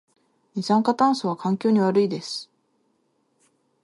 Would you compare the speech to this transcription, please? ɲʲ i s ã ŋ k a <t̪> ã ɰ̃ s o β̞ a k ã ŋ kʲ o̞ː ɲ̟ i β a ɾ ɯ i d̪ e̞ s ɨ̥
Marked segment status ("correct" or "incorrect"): correct